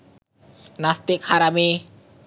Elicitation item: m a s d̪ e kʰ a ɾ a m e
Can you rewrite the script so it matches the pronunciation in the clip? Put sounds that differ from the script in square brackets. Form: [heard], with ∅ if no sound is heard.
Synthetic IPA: [n] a s [t̪] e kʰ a ɾ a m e